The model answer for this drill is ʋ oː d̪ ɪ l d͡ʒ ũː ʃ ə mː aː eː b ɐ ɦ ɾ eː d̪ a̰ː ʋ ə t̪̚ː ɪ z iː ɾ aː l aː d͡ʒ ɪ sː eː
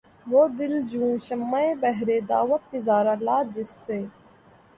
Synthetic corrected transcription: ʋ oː d̪ ɪ l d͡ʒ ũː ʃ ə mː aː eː b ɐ ɦ ɾ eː d̪ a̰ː ʋ ə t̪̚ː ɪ z aː ɾ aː l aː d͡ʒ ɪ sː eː